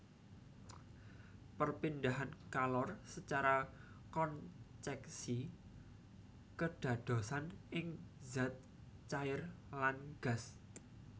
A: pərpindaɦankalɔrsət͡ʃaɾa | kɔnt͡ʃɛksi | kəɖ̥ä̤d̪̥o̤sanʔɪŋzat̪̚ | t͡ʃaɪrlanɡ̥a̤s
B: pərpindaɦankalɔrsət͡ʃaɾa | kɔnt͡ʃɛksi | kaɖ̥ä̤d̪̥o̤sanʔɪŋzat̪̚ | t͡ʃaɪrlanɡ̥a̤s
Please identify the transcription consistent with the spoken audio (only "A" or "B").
A